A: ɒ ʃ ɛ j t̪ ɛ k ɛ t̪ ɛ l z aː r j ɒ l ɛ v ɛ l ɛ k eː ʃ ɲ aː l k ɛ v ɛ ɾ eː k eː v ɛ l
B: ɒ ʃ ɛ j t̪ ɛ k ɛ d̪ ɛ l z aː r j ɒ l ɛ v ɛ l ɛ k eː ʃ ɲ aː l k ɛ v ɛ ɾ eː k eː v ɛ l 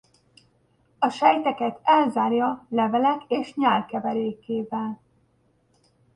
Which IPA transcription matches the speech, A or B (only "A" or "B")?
A